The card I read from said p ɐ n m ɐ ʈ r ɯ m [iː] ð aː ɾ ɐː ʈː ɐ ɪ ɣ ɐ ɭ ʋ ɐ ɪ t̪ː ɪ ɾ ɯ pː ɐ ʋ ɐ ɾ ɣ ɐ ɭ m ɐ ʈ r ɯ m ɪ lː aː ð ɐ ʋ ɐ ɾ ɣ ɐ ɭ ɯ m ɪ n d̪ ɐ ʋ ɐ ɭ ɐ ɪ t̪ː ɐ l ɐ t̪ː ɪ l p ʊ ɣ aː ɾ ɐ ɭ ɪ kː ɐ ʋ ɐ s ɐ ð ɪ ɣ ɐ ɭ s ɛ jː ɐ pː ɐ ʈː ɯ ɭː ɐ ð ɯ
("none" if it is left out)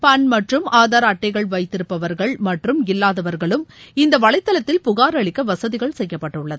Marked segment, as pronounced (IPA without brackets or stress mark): aː